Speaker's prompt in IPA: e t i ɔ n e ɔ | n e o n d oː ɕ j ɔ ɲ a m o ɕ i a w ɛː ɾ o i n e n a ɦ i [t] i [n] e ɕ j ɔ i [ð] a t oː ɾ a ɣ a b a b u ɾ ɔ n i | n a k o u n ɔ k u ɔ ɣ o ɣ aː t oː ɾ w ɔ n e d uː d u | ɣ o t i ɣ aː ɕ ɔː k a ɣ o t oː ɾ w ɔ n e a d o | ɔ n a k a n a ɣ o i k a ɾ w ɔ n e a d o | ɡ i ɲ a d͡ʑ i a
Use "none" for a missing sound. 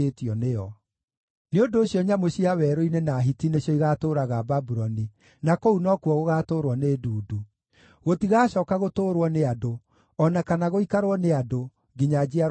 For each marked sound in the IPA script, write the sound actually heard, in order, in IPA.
t, n, ɣ

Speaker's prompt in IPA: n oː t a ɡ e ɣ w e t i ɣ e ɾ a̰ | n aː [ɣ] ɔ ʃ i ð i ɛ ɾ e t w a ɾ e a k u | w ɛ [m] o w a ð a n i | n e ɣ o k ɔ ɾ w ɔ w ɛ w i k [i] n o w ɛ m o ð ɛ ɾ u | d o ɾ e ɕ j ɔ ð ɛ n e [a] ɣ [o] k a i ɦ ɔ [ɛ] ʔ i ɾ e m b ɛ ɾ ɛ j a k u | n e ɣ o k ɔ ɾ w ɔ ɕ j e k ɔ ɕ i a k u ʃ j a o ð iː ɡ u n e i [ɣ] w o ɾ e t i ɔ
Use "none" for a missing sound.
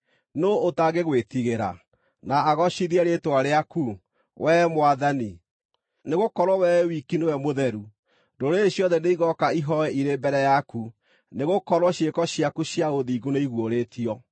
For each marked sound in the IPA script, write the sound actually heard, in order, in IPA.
ɣ, m, i, i, ɔ, ɛ, ɣ

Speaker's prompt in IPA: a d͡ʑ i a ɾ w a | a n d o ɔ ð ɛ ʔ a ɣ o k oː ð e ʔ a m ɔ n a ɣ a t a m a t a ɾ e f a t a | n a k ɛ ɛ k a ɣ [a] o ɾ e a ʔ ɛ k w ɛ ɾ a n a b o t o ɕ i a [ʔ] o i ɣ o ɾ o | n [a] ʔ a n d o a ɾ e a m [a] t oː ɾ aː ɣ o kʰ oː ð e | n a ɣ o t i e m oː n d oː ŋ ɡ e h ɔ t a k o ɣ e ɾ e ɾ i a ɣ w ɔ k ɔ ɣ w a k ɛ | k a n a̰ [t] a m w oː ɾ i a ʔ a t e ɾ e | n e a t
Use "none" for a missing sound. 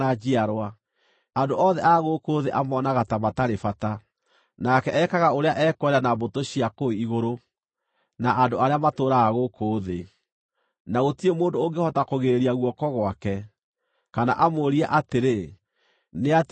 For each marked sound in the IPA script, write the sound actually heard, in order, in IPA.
a, k, a, a, ʔ

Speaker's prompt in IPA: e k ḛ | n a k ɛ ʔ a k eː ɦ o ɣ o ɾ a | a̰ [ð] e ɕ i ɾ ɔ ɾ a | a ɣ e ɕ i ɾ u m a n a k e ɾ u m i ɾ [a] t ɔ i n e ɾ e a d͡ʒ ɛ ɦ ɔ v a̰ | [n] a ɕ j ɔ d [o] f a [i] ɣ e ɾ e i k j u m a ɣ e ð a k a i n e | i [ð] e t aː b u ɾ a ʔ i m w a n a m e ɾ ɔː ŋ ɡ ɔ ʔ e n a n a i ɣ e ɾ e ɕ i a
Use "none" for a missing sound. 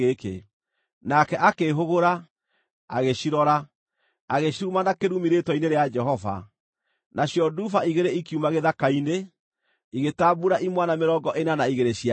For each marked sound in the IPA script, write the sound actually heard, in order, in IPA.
ɣ, e, n, u, i, ɣ

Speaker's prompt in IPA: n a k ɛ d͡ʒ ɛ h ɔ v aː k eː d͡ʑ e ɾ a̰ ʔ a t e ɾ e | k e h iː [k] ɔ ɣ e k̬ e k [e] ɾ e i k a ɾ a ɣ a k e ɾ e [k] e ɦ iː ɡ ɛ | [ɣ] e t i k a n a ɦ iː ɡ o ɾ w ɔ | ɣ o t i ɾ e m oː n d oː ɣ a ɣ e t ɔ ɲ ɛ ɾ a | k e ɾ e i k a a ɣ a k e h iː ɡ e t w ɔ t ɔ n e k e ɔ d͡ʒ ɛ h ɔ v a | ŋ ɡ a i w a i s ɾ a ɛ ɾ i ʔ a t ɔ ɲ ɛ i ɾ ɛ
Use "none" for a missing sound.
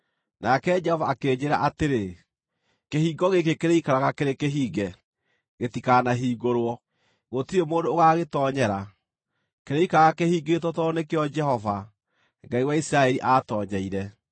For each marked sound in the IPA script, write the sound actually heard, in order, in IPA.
ɡ, e, k, ɣ

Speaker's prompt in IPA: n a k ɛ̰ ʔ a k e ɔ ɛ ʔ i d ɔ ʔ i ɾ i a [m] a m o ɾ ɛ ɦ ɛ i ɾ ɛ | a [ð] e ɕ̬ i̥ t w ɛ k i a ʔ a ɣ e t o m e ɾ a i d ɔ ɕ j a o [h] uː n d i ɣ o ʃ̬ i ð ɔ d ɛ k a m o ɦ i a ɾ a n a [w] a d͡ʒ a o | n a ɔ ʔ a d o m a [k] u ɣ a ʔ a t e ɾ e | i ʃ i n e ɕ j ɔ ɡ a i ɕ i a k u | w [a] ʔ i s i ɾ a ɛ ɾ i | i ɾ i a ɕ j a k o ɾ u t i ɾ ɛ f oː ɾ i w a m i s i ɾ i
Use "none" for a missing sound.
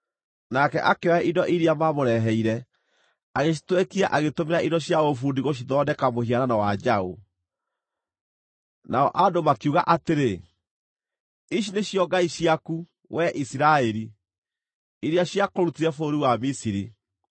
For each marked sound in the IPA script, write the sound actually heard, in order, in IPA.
m, ɣ, f, w, k, ɛ

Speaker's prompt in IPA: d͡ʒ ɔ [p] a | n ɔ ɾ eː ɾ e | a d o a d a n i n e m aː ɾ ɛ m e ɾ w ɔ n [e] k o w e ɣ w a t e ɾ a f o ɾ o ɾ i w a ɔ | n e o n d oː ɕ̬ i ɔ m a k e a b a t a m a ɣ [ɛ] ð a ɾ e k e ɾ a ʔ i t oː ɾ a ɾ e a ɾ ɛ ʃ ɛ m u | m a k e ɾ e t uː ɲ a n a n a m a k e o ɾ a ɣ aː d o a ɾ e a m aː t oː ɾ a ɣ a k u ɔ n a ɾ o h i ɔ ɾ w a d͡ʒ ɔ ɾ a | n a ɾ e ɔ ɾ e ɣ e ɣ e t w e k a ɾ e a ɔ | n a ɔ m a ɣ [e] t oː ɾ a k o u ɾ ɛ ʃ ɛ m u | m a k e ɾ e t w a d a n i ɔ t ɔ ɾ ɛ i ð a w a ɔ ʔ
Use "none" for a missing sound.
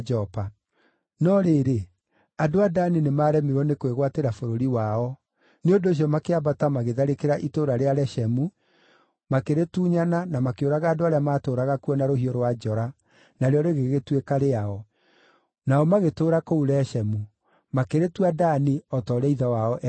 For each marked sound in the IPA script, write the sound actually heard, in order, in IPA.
p, e, e, e

